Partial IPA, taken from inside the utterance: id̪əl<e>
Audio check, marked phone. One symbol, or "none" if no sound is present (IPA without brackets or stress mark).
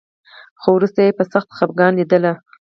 a